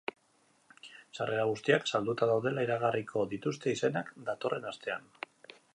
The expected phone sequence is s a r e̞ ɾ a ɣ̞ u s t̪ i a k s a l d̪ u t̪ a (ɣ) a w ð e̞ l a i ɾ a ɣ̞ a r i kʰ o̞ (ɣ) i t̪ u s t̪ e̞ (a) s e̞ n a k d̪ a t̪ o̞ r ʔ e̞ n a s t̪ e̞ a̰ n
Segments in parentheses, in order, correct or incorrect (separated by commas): incorrect, incorrect, incorrect